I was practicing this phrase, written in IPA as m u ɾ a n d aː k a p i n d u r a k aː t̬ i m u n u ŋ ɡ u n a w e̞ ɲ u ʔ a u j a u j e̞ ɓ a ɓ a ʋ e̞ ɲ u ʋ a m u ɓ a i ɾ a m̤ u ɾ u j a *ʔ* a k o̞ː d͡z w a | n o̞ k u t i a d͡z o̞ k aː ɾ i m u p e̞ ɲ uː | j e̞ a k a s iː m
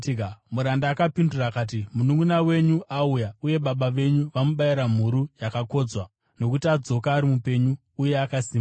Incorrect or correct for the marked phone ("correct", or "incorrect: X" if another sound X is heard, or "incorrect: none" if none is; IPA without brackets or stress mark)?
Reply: incorrect: k